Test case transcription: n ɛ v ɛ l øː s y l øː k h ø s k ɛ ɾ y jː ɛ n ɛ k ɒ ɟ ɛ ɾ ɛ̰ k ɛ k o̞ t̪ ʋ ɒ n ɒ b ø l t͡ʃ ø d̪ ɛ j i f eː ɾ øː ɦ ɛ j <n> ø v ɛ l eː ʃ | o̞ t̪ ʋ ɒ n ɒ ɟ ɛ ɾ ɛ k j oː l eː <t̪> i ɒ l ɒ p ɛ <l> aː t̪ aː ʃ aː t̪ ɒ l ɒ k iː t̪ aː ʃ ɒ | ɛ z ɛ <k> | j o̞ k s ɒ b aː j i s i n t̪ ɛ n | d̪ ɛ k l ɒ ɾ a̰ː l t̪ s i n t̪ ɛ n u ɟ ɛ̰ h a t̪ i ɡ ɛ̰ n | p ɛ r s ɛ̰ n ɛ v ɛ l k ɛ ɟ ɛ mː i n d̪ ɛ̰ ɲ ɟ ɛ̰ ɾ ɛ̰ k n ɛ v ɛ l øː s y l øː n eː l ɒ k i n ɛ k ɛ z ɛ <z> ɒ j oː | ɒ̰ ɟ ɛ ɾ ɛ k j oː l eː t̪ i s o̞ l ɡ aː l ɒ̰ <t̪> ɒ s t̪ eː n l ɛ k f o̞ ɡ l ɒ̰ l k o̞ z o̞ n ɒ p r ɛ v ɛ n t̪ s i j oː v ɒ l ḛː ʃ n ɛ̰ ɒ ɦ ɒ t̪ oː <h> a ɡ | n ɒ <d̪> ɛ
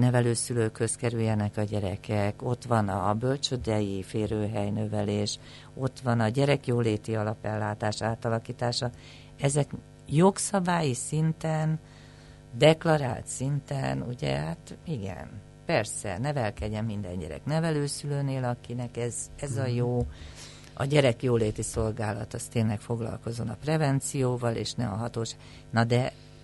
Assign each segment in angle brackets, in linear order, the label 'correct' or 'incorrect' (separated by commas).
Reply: correct, correct, incorrect, correct, correct, correct, incorrect, correct